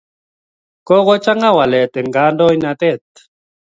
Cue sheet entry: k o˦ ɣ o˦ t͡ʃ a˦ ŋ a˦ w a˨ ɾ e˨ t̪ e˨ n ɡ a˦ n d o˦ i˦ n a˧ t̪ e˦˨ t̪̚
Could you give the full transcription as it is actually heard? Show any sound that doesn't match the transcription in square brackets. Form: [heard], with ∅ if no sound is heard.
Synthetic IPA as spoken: k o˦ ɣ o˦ t͡ʃ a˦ ŋ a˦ w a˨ [l] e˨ t̪ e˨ [ŋ] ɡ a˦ n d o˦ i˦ n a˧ t̪ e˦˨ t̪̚